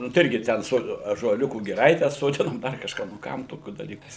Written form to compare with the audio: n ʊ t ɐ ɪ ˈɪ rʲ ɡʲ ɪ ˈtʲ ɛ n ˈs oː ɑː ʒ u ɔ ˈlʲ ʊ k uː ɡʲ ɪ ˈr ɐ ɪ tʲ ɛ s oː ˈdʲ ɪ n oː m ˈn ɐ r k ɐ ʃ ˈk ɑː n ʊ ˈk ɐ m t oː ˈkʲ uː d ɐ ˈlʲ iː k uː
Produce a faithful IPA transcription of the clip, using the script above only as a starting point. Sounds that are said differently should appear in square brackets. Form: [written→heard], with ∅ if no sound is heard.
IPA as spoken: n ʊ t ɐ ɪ ˈɪ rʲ ɡʲ ɪ ˈtʲ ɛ n ˈs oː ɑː ʒ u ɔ ˈlʲ ʊ k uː ɡʲ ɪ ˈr ɐ ɪ tʲ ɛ s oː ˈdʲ ɪ n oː m [ˈn→ˈd] ɐ r k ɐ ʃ ˈk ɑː n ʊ ˈk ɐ m t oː ˈkʲ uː d ɐ ˈlʲ iː k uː